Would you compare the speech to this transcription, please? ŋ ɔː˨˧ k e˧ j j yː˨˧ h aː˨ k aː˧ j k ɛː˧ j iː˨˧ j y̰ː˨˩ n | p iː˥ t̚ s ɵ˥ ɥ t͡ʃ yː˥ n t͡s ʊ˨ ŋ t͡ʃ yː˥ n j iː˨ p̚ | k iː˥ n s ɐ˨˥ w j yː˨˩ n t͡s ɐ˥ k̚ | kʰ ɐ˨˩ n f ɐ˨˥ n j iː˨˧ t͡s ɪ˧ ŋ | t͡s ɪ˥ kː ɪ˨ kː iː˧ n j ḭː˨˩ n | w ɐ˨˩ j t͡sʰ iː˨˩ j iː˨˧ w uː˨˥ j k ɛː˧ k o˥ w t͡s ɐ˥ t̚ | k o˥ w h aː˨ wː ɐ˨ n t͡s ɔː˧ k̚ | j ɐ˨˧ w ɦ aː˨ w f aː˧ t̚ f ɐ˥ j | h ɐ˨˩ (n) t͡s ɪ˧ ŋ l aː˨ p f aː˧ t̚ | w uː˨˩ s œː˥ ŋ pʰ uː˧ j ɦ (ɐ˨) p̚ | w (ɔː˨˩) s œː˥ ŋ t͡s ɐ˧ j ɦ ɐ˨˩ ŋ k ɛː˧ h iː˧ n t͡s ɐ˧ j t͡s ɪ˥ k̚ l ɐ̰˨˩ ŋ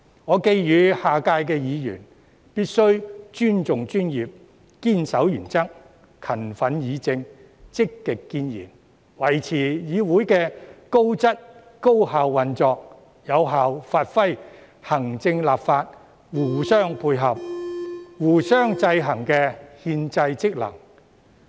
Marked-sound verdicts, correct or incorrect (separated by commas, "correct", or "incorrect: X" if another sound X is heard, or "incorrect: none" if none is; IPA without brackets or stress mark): incorrect: ŋ, correct, incorrect: uː˨˩